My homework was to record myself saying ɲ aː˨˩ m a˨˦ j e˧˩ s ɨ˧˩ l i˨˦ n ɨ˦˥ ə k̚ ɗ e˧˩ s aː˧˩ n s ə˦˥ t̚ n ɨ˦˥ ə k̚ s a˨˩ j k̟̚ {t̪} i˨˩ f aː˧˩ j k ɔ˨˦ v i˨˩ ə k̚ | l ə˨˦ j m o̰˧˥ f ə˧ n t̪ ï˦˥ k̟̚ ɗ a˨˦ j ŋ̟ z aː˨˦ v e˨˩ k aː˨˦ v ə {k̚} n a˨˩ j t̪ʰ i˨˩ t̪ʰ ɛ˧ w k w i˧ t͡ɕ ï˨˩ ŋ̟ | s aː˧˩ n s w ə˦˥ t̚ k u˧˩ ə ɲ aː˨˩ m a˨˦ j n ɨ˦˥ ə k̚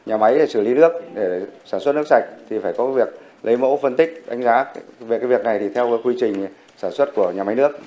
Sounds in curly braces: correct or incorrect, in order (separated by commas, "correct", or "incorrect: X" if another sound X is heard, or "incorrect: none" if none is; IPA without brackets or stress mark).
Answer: incorrect: t̪ʰ, correct